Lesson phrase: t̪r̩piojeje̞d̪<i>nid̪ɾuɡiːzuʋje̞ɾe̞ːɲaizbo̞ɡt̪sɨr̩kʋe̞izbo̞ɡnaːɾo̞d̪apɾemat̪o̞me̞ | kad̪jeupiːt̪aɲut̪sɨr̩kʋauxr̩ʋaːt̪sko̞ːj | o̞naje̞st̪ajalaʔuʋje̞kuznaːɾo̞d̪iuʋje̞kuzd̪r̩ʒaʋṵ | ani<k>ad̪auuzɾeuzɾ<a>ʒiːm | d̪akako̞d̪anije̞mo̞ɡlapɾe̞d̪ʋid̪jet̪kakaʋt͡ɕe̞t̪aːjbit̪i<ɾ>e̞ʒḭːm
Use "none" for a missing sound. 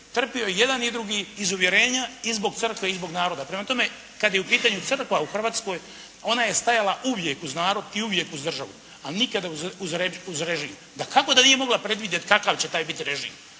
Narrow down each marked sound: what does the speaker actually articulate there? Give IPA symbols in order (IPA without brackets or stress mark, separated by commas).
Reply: a, k, e, ɾ